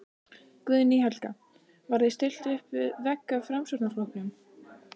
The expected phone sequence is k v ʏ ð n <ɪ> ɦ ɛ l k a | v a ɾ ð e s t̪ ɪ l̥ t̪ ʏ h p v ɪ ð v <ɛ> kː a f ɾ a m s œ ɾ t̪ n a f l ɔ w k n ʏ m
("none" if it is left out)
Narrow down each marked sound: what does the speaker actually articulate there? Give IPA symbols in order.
i, ɛ

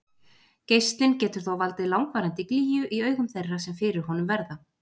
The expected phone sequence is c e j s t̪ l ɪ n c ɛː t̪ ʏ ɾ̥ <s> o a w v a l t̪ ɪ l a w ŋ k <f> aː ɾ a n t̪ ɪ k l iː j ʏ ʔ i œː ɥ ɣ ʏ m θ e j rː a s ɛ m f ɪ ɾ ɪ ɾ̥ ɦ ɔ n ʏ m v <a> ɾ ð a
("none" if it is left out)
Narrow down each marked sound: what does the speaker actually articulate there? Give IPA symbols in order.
θ, v, ɛ

